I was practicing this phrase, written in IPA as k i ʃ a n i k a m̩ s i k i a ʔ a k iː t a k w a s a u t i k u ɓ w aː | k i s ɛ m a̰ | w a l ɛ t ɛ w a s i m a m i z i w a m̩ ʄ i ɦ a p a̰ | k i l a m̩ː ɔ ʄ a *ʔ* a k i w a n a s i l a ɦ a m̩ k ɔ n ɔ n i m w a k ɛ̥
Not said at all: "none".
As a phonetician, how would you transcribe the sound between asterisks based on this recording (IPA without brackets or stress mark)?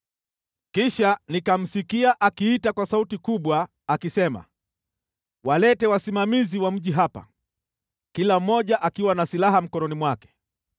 ʔ